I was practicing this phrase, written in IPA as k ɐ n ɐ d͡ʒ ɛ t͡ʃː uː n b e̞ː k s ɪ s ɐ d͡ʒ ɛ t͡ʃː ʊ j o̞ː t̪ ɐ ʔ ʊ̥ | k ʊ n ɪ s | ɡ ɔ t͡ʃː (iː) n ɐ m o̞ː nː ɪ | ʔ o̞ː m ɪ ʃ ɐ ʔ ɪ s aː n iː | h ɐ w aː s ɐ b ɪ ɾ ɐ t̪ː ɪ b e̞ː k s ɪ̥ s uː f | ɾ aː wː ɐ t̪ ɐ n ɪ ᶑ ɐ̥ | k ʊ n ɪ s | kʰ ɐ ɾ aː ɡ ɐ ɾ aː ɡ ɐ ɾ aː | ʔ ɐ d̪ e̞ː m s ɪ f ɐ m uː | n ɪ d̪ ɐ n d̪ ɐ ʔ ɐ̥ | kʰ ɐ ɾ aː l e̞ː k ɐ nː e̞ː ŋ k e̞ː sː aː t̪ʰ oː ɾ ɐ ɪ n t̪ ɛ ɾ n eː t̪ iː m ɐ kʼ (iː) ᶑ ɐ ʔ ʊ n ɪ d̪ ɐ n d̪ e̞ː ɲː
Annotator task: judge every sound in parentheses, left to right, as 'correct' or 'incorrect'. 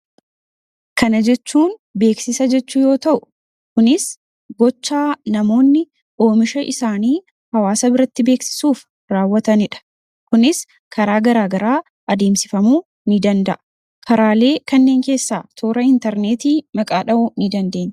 incorrect, incorrect

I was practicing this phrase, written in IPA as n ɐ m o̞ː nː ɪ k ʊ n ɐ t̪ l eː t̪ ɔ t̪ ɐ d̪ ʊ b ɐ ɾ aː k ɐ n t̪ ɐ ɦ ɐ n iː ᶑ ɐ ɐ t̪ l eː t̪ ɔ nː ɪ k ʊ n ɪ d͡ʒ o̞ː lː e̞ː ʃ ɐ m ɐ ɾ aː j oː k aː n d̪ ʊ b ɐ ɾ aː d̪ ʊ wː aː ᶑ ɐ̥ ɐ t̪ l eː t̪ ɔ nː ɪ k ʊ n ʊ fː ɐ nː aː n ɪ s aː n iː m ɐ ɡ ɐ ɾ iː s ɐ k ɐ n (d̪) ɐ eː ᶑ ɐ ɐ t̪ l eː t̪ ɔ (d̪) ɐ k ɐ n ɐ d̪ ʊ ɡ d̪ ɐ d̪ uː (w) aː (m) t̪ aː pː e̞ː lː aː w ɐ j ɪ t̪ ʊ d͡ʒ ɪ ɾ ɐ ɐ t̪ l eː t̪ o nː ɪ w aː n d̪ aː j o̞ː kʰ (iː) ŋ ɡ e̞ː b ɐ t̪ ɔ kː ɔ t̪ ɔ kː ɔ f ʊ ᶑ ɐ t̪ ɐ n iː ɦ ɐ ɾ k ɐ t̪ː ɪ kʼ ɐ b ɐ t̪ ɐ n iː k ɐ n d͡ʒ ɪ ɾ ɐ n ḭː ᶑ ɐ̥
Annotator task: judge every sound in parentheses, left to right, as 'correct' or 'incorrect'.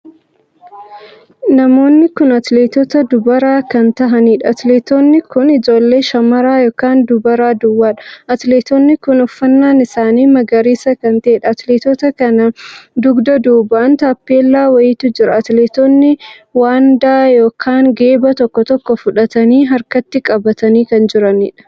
incorrect, incorrect, incorrect, incorrect, incorrect

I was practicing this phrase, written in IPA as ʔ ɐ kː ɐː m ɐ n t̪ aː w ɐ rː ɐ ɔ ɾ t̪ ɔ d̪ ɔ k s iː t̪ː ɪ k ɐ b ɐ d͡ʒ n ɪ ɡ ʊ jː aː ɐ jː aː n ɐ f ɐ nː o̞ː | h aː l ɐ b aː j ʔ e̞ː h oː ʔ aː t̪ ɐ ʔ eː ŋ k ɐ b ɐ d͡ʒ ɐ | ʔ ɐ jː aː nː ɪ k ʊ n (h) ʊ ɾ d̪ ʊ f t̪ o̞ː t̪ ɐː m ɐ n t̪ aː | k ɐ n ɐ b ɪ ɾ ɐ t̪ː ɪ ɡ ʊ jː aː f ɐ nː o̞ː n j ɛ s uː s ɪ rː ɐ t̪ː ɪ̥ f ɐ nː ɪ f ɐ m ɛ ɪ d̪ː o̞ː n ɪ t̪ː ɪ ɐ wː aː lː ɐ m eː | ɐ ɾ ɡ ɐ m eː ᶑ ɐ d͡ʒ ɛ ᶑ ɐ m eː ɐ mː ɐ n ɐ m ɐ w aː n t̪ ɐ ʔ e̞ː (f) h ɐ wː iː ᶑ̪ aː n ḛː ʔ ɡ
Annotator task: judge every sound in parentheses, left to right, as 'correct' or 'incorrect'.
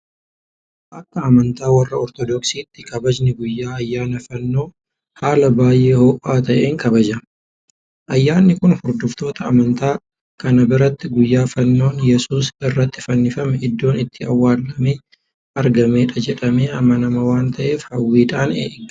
correct, correct

